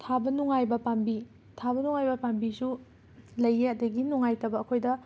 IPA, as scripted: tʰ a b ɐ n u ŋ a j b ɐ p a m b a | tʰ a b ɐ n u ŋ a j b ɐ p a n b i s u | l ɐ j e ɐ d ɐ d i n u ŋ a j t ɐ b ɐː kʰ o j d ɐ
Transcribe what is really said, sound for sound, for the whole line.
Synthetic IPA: tʰ a b ɐ n u ŋ a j b ɐ p a m b i | tʰ a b ɐ n u ŋ a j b ɐ p a m b i s u | l ɐ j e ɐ d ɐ ɡ i n u ŋ a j t ɐ b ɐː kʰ o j d ɐ

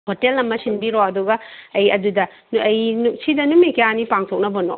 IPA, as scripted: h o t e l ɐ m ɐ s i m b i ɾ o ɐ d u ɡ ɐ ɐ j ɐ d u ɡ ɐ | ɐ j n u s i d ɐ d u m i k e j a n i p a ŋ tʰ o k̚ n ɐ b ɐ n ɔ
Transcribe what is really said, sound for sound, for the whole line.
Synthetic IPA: h o t e l ɐ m ɐ s i n b i ɾ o ɐ d u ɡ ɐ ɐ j ɐ d u d ɐ | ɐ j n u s i d ɐ n u m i k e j a n i p a ŋ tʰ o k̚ n ɐ b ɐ n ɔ

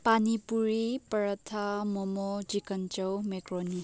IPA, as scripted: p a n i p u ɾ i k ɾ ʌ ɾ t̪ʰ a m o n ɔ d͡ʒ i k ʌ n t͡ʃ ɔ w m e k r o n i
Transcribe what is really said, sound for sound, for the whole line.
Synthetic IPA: p a n i p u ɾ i p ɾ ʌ t̪ʰ a m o m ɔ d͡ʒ i k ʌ n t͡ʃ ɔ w m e k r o n i

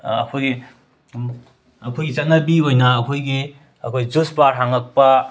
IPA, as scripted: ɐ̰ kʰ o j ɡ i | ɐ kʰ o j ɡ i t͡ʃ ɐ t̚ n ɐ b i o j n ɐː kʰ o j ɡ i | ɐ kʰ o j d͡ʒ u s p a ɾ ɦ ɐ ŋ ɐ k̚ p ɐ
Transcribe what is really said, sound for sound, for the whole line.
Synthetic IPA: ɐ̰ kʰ o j ɡ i | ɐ kʰ o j ɡ i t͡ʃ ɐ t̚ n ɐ b i o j n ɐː kʰ o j ɡ i | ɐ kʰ o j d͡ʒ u s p a ɾ ɦ a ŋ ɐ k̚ p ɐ

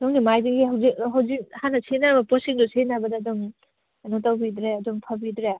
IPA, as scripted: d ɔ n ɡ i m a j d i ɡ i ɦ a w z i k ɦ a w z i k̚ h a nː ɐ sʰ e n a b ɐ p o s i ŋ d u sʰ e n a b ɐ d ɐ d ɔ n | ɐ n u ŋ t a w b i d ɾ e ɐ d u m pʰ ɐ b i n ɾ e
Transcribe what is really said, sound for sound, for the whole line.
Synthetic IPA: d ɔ ŋ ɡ i m a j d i ɡ i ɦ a w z i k ɦ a w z i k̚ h a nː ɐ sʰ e n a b ɐ p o s i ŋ d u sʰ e n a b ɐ d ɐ d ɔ ŋ | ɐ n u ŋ t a w b i d ɾ e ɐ d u ŋ pʰ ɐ b i d ɾ e

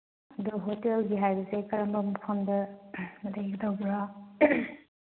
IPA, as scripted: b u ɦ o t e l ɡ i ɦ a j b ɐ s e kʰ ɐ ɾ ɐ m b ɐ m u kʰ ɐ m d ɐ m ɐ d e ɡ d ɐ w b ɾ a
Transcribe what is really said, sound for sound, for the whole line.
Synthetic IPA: d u ɦ o t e l ɡ i ɦ a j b ɐ s e k ɐ ɾ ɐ m b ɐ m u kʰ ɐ m d ɐ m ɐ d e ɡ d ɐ w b ɾ a

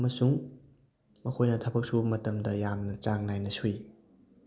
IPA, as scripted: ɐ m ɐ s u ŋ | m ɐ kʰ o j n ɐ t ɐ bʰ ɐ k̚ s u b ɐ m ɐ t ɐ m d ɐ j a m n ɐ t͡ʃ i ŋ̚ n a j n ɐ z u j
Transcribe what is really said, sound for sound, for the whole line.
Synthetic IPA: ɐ m ɐ s u ŋ | m ɐ kʰ o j n ɐ tʰ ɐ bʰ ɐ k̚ s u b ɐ m ɐ t ɐ m d ɐ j a m n ɐ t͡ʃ a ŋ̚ n a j n ɐ s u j

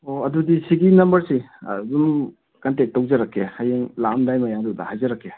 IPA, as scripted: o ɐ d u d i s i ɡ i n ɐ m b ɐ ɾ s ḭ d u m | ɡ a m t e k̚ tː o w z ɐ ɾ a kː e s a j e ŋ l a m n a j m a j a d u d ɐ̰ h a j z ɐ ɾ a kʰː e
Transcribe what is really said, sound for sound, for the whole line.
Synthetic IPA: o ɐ d u d i s i ɡ i n ɐ m b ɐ ɾ s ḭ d u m | k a n t e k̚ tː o w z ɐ ɾ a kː e h a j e ŋ l a m d a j m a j a d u d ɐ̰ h a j z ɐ ɾ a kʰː e

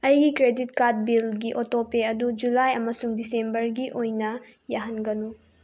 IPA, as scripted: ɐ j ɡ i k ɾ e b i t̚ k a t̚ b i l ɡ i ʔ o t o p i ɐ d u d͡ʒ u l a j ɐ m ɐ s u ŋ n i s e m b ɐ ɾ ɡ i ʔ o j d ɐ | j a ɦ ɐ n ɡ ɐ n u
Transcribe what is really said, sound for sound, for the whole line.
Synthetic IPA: ɐ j ɡ i k ɾ e d i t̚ k a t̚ b i l ɡ i ʔ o t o p e ɐ d u d͡ʒ u l a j ɐ m ɐ s u ŋ d i s e m b ɐ ɾ ɡ i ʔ o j n ɐ | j a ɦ ɐ n ɡ ɐ n u

